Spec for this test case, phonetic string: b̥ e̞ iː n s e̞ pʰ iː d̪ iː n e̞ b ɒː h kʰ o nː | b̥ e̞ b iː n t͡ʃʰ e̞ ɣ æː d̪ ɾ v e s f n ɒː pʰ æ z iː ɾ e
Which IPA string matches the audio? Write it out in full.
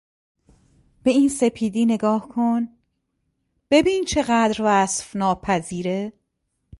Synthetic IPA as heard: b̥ e̞ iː n s e̞ pʰ iː d̪ iː n e̞ ɡ ɒː h kʰ o n | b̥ e̞ b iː n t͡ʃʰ e̞ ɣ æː d̪ ɾ v æ s f n ɒː pʰ æ z iː ɾ e